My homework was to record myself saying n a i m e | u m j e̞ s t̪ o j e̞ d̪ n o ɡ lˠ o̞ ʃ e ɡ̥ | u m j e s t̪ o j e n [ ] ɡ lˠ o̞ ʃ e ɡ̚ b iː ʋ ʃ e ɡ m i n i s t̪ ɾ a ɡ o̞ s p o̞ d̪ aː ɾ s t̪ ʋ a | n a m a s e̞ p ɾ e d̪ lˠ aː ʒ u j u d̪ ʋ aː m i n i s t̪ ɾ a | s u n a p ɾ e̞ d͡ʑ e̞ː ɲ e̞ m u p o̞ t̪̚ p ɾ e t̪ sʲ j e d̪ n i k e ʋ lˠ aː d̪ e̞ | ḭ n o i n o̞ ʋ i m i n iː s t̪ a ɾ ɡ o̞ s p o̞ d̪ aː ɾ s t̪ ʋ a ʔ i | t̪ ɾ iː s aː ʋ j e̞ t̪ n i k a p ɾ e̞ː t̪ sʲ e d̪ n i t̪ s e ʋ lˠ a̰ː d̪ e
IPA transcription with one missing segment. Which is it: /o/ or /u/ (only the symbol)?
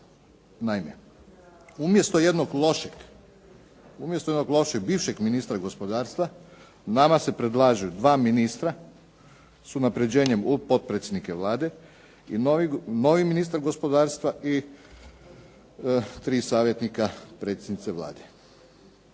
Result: o